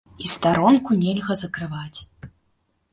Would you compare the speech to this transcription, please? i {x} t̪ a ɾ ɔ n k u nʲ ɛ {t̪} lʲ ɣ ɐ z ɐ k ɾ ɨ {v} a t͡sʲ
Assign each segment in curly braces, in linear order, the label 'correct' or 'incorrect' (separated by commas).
incorrect, incorrect, correct